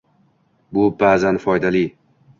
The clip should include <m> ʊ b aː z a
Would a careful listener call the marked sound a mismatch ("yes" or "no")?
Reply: yes